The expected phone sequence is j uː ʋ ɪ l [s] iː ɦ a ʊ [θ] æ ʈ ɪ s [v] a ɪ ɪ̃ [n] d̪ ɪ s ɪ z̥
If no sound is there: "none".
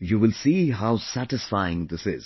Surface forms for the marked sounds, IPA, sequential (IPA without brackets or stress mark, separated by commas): s, s, f, ŋ